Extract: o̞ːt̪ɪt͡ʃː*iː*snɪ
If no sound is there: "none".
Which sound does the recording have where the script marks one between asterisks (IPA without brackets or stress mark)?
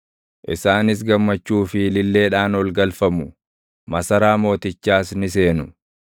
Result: aː